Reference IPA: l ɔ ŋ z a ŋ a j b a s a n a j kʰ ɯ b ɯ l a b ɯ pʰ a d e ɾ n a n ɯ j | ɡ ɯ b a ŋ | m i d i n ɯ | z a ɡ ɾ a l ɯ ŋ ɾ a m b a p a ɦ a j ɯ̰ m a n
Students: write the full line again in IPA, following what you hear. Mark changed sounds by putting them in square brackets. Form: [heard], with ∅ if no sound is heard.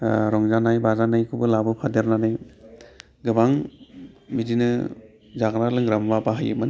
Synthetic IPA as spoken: [ɾ] ɔ ŋ z a [n] a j b a [z] a n a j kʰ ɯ b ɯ l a b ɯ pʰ a d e ɾ n a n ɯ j | ɡ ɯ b a ŋ | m i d i n ɯ | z a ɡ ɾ a l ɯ ŋ ɾ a m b a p a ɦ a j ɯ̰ m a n